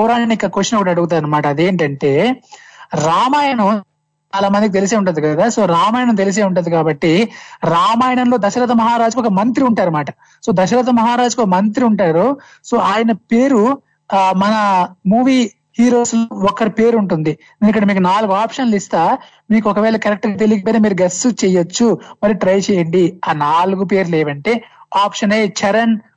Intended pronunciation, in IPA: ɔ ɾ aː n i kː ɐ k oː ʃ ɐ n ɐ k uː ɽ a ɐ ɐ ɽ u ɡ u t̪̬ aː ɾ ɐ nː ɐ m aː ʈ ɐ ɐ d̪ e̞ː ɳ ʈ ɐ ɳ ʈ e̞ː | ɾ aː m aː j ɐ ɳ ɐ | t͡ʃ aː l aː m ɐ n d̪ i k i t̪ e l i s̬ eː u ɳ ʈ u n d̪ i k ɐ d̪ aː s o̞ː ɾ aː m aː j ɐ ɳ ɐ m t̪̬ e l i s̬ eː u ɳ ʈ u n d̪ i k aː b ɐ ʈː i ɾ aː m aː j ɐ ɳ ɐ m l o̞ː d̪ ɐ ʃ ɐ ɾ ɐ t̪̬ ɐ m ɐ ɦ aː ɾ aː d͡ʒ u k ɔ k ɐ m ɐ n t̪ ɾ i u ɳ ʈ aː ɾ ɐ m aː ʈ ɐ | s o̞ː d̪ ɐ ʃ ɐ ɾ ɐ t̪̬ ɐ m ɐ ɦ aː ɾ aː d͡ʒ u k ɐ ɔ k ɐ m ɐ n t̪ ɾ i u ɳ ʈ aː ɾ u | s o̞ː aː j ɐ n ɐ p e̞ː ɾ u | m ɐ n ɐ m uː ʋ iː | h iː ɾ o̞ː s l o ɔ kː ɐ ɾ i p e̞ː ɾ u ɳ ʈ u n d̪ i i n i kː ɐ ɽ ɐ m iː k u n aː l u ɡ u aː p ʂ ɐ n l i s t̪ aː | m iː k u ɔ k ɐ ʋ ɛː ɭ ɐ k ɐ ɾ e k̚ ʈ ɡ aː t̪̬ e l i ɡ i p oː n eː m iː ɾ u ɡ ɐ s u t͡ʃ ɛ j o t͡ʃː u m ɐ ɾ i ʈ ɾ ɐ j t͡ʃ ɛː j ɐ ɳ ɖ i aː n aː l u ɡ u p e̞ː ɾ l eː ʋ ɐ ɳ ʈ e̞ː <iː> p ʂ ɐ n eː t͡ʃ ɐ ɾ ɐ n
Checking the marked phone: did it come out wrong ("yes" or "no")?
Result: yes